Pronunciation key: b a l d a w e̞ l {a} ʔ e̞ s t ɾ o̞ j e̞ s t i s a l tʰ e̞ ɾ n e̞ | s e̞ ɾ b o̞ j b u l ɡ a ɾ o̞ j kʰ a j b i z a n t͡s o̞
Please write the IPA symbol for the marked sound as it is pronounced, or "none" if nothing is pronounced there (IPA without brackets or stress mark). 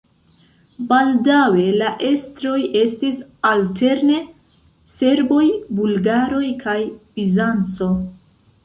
a